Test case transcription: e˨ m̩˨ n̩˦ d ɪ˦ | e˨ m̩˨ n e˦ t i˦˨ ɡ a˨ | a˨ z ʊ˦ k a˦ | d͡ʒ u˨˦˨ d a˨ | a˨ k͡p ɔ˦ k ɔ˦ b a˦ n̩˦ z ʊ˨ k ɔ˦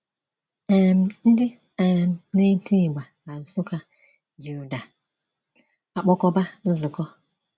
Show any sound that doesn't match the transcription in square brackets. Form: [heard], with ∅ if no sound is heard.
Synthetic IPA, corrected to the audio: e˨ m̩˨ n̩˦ d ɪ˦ | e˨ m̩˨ n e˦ t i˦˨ [ɡ͡b] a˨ | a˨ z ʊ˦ k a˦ | d͡ʒ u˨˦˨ d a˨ | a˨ k͡p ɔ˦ k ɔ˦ b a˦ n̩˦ z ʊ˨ k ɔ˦

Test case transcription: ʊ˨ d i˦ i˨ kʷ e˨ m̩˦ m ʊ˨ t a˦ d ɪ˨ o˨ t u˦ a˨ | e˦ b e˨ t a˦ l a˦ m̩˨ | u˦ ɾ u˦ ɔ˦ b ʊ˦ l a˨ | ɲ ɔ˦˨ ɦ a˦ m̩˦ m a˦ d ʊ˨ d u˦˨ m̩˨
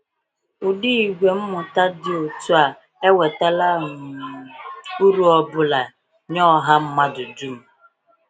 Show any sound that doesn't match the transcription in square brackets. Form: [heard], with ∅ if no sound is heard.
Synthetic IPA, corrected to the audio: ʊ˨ d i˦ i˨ [ɡʷ] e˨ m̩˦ m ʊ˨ t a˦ d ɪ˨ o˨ t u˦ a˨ | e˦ [w] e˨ t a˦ l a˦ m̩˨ | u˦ ɾ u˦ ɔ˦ b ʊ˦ l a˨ | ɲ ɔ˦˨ ɦ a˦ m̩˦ m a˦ d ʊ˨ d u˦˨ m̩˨

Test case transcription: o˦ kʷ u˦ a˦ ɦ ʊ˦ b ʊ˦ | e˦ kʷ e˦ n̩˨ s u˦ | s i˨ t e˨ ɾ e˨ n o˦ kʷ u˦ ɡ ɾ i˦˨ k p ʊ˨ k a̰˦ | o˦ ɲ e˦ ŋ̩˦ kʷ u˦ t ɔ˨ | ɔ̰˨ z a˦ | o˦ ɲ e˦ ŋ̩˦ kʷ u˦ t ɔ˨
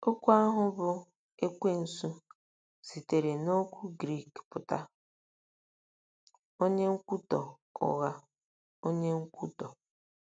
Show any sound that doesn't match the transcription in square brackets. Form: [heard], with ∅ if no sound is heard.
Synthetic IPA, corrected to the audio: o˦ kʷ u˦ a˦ ɦ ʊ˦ b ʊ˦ | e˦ kʷ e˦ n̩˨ s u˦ | s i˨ t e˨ ɾ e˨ n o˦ kʷ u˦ ɡ ɾ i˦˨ k p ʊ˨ [t] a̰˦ | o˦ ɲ e˦ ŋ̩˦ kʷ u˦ t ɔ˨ | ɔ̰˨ [ɣ] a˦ | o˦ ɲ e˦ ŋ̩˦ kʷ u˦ t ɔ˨

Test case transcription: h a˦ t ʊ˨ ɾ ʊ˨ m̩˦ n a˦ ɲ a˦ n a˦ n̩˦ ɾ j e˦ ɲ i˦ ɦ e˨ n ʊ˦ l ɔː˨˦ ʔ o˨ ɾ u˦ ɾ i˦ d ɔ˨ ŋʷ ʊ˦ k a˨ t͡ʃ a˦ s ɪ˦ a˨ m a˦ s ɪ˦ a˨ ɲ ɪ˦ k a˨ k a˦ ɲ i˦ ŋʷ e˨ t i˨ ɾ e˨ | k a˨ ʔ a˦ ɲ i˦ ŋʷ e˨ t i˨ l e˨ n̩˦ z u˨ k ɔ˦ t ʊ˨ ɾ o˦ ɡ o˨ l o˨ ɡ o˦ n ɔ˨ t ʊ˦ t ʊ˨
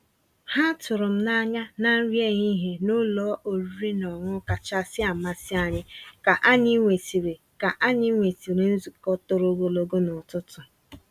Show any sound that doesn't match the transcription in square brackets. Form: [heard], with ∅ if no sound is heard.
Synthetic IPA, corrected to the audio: h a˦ t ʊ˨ ɾ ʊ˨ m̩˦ n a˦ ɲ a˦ n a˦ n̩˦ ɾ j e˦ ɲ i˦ ɦ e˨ n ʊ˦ l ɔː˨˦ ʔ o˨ ɾ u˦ ɾ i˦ [n] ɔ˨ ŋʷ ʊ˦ k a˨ t͡ʃ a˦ s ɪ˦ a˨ m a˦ s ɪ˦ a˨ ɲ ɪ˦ k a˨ [ʔ] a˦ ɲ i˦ ŋʷ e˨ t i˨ ɾ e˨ | k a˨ ʔ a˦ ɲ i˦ ŋʷ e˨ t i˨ [ɾ] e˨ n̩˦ z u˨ k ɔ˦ t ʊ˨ ɾ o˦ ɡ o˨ l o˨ ɡ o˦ n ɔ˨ t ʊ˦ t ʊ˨

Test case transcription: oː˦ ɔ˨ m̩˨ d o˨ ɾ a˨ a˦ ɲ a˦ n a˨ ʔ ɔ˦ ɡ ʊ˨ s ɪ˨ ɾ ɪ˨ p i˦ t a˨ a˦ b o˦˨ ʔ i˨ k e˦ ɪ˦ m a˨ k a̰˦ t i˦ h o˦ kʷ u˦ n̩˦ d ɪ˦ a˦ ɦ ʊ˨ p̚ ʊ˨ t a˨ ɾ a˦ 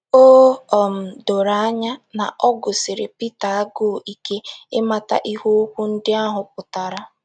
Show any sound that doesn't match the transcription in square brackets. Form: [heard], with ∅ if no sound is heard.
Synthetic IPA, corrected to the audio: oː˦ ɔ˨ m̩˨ d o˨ ɾ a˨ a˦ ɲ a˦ n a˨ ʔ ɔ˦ ɡ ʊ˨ s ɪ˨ ɾ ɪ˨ p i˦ t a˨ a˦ [ɡ] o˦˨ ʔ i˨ k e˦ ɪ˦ m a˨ [t] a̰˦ [ʔ] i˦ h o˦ kʷ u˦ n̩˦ d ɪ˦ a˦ ɦ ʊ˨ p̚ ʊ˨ t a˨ ɾ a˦

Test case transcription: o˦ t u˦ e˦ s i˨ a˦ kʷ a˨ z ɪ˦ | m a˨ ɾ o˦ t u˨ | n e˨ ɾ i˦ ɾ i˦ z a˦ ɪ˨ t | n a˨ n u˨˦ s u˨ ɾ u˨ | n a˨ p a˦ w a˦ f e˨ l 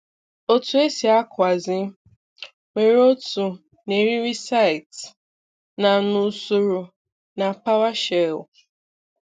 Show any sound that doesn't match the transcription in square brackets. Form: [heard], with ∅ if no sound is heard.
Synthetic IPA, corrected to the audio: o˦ t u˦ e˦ s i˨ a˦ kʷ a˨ z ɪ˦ | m [e˨] ɾ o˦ t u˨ | n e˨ ɾ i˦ ɾ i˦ [s] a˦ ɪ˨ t | n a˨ n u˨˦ s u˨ ɾ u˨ | n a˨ p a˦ w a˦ [ʃ] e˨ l

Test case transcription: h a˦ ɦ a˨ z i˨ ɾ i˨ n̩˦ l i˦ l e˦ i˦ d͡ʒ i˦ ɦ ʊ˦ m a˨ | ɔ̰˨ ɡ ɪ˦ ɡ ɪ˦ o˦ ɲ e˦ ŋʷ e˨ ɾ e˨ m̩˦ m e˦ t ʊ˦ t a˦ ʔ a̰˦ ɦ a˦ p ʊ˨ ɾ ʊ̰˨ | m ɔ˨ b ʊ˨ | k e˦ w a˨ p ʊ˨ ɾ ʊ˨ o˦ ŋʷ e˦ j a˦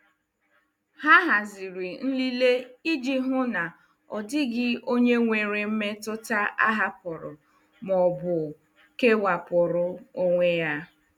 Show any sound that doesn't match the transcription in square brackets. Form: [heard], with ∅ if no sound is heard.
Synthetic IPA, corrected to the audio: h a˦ ɦ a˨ z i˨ ɾ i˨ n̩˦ l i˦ l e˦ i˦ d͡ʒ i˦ ɦ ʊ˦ [n] a˨ | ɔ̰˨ [d] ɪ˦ ɡ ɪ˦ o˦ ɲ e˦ ŋʷ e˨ ɾ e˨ m̩˦ m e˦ t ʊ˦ t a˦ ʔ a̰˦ ɦ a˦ p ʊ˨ ɾ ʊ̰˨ | m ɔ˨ b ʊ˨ | k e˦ w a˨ p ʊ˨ ɾ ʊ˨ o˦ ŋʷ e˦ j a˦

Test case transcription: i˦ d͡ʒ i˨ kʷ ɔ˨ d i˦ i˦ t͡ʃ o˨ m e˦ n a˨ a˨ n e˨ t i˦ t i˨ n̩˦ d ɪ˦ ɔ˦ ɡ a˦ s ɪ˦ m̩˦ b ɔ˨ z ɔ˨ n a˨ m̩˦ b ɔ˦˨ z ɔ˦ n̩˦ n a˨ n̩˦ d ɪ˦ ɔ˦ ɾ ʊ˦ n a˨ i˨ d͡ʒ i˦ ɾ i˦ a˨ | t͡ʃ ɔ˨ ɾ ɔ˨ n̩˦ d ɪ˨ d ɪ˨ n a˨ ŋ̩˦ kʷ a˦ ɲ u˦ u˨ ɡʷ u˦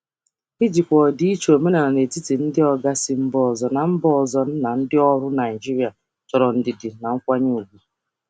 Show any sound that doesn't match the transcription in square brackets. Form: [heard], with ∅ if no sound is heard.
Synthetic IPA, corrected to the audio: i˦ d͡ʒ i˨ kʷ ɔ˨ d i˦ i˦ t͡ʃ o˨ m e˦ n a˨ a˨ n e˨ t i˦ t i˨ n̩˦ d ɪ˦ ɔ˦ ɡ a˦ s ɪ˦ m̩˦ b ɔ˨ z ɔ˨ n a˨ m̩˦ b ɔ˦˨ z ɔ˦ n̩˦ n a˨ n̩˦ d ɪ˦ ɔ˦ ɾ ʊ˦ n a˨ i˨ d͡ʒ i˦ ɾ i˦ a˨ | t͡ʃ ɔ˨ ɾ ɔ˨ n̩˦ d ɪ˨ d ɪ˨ n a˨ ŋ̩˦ kʷ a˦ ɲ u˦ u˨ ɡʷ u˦

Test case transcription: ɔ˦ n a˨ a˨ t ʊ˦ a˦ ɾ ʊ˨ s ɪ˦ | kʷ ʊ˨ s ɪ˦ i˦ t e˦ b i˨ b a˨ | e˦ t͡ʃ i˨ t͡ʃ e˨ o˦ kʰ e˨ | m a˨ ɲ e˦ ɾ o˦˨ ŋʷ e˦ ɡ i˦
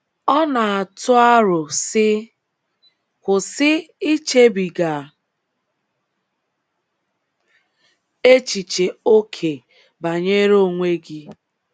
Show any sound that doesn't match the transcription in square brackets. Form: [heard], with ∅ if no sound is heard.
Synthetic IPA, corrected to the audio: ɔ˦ n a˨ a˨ t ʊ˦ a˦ ɾ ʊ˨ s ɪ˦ | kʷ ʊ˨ s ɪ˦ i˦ [t͡ʃ] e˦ b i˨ [ɡ] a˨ | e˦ t͡ʃ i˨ t͡ʃ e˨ o˦ kʰ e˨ | [b] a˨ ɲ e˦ ɾ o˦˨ ŋʷ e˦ ɡ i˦

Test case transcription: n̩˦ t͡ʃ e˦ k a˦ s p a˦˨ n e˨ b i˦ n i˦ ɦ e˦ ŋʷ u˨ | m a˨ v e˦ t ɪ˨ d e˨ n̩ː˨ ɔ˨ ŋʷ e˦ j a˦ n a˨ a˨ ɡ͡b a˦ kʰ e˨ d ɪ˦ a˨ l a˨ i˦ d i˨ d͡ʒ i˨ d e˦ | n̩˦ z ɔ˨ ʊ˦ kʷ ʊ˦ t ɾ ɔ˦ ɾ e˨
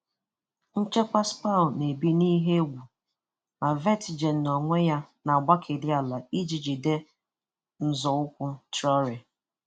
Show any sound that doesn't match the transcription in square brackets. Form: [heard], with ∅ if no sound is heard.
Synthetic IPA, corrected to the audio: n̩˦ t͡ʃ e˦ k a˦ s p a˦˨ n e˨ b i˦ n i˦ ɦ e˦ [ɡʷ] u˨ | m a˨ v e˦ t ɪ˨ [d͡ʒ] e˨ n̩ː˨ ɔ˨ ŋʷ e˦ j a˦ n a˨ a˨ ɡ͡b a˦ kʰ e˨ d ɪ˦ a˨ l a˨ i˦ [d͡ʒ] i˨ d͡ʒ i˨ d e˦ | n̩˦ z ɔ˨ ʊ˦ kʷ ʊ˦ t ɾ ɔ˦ ɾ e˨

